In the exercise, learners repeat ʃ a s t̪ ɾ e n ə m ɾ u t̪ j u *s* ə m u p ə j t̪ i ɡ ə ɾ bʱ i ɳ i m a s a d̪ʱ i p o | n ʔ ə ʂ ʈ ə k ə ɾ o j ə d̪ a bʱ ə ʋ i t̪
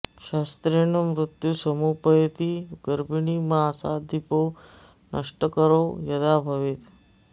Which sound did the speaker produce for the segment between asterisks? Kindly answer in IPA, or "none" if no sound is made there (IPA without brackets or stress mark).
s